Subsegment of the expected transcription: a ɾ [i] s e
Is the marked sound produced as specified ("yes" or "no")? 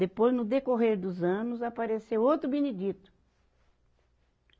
no